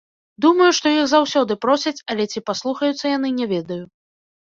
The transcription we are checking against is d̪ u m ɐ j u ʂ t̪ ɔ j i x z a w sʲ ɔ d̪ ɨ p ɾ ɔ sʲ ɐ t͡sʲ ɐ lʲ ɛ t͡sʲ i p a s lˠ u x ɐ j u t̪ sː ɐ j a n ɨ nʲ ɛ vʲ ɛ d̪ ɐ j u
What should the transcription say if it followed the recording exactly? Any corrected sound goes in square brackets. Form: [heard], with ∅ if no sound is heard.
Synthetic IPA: d̪ u m ɐ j u ʂ t̪ ɔ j i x z a w sʲ ɔ d̪ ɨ p ɾ ɔ sʲ ɐ t͡sʲ ɐ lʲ ɛ t͡sʲ i p a s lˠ u x ɐ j u t̪ sː ɐ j a n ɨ nʲ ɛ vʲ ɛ d̪ ɐ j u